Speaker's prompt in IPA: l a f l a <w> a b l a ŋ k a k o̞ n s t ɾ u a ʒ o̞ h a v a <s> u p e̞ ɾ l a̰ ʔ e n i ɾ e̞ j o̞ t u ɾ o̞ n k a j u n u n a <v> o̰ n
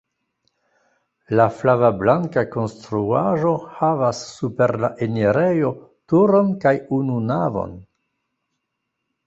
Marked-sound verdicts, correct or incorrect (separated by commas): incorrect, incorrect, correct